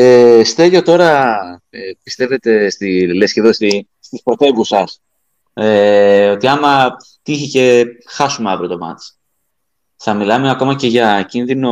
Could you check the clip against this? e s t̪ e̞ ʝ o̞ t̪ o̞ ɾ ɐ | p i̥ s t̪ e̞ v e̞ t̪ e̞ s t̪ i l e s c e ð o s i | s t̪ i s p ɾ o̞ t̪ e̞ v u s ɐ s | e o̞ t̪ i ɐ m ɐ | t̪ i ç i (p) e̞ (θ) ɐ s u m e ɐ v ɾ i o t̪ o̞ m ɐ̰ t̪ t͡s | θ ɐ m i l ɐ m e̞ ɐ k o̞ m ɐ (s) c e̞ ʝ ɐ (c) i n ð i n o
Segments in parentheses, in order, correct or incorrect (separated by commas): incorrect, incorrect, incorrect, correct